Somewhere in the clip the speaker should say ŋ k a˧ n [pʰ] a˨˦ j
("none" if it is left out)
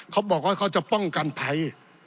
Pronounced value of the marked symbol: pʰ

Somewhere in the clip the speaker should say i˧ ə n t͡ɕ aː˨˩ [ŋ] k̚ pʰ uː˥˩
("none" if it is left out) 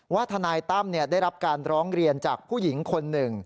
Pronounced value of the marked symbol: none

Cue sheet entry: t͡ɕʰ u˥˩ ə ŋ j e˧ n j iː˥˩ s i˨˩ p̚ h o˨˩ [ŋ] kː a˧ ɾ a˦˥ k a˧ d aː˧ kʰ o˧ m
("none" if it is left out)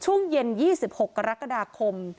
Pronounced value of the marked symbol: none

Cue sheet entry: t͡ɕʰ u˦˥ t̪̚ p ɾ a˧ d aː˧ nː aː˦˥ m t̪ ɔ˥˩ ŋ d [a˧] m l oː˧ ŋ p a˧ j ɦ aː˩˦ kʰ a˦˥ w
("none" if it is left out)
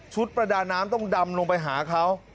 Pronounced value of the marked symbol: a˧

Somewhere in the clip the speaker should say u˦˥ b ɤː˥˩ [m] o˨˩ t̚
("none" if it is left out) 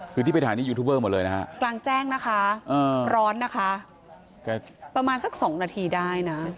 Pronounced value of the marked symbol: m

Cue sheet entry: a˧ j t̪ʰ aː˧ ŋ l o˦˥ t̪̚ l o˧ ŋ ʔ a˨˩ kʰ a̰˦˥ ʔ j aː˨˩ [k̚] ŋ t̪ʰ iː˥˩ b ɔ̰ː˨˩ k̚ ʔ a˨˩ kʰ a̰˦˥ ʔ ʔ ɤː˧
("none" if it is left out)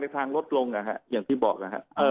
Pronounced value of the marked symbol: none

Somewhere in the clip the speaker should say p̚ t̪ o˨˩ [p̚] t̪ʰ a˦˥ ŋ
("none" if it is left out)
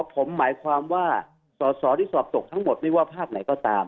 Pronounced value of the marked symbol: k̚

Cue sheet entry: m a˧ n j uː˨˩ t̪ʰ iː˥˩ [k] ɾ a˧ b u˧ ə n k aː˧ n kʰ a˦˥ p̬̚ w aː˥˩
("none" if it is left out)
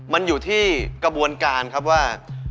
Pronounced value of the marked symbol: k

